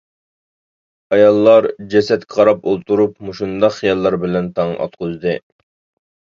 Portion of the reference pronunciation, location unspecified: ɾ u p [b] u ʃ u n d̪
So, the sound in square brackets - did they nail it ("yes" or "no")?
no